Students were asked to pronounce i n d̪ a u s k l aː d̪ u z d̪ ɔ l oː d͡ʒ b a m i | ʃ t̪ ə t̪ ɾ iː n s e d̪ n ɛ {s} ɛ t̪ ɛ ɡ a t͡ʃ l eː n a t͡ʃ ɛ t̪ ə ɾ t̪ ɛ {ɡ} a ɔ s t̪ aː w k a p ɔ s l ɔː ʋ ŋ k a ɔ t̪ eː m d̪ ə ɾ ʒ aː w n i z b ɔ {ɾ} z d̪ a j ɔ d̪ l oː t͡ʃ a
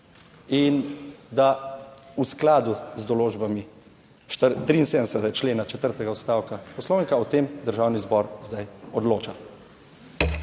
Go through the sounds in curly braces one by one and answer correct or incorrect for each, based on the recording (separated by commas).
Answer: correct, correct, correct